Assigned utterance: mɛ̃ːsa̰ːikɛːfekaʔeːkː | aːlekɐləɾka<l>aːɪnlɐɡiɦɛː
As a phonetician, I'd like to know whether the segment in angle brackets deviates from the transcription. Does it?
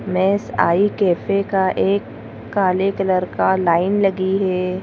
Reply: no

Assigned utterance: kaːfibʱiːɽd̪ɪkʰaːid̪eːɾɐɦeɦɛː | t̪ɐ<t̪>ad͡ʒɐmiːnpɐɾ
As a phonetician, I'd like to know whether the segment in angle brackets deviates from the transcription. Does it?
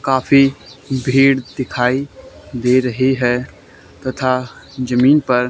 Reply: yes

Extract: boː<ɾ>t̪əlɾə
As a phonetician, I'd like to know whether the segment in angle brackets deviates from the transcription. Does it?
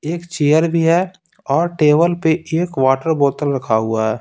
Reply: yes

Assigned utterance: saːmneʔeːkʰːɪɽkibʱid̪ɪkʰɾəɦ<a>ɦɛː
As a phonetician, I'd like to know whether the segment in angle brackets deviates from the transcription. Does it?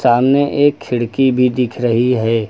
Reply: yes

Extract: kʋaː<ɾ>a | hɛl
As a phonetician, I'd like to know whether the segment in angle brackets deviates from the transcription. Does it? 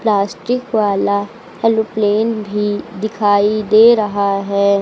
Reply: yes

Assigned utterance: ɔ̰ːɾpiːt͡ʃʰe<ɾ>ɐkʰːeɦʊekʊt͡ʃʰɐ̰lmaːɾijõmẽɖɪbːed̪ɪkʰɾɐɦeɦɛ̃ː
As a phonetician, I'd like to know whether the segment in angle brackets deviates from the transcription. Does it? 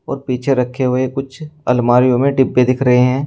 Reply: no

